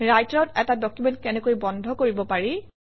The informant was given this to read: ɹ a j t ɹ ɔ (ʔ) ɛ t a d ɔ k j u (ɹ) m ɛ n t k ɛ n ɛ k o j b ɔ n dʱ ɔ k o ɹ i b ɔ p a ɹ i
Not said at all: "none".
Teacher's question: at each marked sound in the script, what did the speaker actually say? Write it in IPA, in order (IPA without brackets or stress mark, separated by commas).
t, none